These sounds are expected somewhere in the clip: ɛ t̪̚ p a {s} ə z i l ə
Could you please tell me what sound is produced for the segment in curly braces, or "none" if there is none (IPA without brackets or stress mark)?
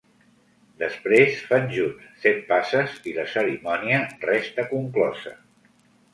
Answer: s